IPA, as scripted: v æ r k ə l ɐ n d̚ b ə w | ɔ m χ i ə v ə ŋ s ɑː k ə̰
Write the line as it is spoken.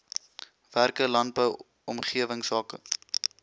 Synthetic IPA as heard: v æ r k ə l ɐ n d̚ b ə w | ɔ m χ i ə v ə ŋ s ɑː k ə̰